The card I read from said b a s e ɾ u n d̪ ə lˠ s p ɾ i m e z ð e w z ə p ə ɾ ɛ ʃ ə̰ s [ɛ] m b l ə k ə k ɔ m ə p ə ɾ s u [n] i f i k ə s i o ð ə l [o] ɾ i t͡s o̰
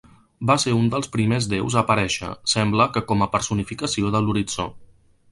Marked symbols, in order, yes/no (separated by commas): yes, yes, no